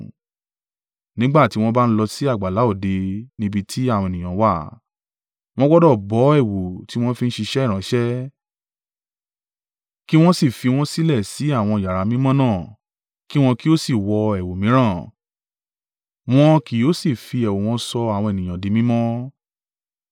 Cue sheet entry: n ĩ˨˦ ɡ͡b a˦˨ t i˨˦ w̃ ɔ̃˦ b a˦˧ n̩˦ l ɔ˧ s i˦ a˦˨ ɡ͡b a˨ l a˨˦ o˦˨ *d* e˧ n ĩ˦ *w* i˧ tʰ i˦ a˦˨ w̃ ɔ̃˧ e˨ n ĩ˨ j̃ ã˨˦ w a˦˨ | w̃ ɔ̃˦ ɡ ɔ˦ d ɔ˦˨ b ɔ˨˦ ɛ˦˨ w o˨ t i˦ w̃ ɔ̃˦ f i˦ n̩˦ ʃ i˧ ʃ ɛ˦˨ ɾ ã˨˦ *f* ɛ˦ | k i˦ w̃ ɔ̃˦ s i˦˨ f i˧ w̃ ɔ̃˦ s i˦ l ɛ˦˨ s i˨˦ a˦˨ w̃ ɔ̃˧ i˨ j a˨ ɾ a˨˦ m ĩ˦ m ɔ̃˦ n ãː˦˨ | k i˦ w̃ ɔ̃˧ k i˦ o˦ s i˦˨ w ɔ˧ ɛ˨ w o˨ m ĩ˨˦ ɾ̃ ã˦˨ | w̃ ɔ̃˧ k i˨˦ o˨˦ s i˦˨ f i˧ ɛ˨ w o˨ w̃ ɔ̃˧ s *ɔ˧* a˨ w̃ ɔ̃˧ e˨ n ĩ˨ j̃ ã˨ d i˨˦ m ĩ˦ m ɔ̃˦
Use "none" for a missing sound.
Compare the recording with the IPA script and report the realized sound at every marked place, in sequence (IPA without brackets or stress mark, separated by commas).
d, b, ʃ, ɔ˧